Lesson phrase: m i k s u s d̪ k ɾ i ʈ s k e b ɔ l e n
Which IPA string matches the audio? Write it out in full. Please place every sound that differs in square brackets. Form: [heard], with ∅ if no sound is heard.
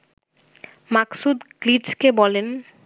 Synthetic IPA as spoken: m [a] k s u [∅] d̪ k [l] i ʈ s k e b ɔ l e n